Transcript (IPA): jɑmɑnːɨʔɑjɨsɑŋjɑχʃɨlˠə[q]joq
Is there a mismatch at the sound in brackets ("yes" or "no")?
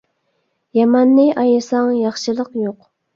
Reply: no